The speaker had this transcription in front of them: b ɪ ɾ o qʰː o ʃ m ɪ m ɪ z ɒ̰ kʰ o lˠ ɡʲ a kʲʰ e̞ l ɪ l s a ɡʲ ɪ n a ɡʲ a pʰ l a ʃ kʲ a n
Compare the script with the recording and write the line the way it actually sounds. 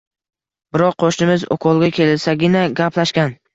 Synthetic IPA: b ɪ ɾ ɒ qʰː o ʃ n ɪ m ɪ z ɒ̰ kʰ ɒ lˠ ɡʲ a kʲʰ e̞ l ɪ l s a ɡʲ ɪ n a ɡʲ a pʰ l a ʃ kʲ a n